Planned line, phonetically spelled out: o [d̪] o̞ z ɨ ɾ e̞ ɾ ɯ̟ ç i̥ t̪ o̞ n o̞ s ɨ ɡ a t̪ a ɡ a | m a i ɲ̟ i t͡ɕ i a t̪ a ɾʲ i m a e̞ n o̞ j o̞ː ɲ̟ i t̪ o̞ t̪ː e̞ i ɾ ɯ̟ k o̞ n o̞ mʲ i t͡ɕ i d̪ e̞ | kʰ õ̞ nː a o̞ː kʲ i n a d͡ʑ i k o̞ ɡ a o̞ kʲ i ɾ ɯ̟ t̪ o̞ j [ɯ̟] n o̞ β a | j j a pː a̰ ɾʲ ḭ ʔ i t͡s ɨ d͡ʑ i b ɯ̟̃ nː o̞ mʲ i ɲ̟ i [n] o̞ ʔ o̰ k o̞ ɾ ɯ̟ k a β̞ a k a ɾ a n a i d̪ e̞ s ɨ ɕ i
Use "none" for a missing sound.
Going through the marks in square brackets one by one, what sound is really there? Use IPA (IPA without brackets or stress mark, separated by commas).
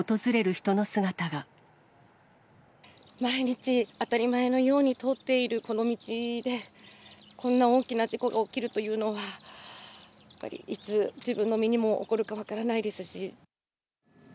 t̪, ɯ̟ː, m